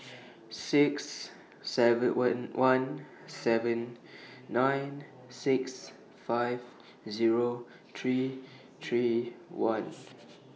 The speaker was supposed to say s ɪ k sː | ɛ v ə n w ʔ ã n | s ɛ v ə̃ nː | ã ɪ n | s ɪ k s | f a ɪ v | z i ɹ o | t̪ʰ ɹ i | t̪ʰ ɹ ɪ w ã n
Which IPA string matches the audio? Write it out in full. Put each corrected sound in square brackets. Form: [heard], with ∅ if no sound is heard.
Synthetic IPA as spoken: s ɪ k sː | ɛ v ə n w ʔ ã n | s ɛ v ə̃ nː | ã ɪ n | s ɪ k s | f a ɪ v | z i ɹ o | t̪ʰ ɹ i | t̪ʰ ɹ [i] w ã n